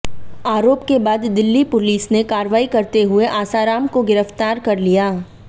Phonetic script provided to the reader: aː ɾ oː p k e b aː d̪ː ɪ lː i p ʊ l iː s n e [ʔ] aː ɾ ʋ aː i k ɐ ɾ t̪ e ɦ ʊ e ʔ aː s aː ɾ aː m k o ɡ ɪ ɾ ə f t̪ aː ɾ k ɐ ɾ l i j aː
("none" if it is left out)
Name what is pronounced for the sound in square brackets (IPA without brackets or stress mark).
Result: k